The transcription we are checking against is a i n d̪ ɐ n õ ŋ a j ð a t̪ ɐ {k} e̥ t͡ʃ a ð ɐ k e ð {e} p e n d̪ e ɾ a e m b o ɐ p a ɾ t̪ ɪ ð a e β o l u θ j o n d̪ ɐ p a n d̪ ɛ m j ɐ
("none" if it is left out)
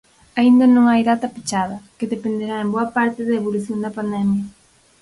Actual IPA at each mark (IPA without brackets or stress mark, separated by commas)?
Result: p, e